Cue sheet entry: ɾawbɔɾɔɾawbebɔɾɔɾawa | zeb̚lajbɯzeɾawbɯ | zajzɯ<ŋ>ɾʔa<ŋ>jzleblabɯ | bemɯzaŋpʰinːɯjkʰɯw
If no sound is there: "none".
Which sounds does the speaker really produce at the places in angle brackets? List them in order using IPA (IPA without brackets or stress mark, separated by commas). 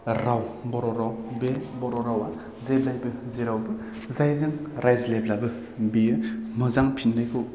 ŋ, none